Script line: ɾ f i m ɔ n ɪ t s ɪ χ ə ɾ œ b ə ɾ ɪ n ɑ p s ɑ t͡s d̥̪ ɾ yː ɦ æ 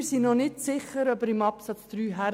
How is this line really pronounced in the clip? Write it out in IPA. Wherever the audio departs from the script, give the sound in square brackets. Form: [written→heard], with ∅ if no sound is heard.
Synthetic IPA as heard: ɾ [f→s] i [m→n] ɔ n ɪ t s ɪ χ ə ɾ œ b ə ɾ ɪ [n→m] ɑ p s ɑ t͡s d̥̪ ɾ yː ɦ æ